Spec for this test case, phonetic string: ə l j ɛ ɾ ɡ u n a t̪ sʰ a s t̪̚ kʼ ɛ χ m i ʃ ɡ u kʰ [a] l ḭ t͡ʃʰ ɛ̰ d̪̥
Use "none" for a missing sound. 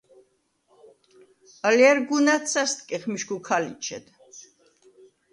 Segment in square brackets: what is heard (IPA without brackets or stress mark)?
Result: a